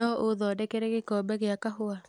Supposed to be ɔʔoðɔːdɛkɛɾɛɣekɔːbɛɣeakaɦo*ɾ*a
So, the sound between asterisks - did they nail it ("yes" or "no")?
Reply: no